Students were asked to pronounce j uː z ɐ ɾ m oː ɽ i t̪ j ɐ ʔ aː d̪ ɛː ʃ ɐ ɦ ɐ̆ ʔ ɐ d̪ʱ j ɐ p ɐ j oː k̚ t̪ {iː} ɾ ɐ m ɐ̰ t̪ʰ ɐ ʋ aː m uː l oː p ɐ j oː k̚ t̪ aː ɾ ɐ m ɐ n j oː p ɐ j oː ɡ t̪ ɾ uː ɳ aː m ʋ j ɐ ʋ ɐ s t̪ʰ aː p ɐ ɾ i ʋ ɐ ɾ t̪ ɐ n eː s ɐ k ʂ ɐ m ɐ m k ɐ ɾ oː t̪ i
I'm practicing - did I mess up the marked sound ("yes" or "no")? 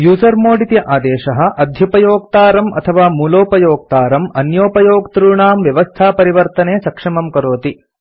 yes